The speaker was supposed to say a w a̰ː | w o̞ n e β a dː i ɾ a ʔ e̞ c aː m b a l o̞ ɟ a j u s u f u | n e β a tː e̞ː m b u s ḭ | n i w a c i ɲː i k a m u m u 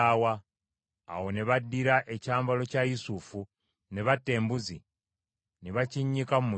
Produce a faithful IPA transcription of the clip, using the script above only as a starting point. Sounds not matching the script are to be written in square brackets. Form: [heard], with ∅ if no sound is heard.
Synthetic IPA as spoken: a w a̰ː | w o̞ n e β a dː i ɾ a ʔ e̞ c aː m b a l o̞ [c] a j u s u f u | n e β a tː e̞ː m b u [z] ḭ | n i [β] a c i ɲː i k a m u m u